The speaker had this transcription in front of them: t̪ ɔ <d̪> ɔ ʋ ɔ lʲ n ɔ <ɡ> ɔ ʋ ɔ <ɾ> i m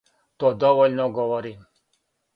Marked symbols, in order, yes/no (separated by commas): yes, yes, yes